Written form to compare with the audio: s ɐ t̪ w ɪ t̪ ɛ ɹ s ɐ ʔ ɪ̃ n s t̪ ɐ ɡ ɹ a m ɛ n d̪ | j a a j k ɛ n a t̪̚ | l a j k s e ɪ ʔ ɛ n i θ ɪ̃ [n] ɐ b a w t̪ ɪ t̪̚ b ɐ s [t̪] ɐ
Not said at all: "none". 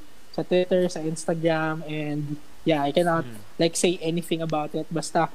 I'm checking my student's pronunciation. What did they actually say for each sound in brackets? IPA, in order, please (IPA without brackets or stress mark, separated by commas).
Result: ŋ, t̪